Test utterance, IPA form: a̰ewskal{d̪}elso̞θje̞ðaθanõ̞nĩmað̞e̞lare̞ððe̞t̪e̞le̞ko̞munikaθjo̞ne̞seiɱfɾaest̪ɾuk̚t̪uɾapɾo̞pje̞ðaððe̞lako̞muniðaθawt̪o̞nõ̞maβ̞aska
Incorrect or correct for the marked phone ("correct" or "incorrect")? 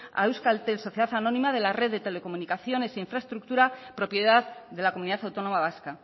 incorrect